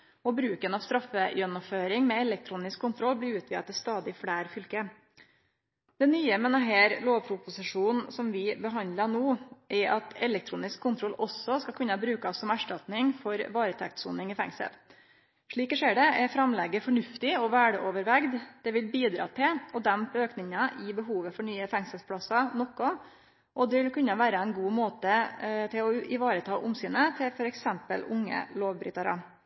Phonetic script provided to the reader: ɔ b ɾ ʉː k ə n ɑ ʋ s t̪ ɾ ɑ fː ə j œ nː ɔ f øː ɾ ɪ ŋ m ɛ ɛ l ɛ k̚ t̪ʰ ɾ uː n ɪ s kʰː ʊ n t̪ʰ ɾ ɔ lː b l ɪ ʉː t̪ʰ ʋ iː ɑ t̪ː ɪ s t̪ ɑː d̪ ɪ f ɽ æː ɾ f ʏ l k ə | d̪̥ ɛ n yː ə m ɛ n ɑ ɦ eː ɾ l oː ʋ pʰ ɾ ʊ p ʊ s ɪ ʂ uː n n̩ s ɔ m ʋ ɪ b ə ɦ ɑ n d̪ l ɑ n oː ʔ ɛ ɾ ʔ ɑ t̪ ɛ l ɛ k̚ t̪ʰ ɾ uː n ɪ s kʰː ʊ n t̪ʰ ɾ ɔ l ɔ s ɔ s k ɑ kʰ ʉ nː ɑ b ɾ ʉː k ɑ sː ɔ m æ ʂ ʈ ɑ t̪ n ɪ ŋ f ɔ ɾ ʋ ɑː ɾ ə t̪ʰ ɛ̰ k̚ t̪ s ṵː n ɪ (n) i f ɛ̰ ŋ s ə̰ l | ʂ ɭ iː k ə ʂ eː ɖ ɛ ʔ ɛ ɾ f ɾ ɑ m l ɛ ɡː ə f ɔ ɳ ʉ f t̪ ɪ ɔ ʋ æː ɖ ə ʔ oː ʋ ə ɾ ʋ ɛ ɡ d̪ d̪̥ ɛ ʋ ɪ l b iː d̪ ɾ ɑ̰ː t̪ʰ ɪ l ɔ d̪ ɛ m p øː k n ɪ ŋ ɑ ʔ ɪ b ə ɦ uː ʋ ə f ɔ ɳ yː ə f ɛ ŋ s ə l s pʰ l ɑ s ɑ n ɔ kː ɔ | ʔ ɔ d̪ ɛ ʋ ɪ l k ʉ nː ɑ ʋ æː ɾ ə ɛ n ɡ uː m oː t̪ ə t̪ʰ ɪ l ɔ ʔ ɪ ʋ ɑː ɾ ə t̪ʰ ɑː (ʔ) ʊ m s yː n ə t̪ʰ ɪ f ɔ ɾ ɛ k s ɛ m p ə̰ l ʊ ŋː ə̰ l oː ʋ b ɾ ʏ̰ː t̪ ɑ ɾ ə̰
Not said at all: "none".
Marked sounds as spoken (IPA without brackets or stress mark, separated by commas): ŋ, ʔ